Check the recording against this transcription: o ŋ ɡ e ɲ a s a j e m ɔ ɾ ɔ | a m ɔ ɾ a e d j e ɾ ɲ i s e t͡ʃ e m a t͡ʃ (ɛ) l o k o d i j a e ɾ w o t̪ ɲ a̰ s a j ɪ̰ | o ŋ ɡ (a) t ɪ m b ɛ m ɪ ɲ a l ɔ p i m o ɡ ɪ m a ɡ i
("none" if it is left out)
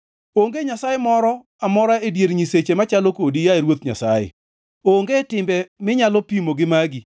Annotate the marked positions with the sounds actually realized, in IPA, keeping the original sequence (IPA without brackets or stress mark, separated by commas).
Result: a, e